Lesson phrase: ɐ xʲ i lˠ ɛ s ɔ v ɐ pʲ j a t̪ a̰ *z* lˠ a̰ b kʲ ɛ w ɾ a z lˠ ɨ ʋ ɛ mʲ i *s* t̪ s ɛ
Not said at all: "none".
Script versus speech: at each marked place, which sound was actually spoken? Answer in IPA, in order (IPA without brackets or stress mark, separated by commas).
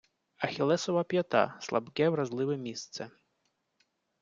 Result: s, s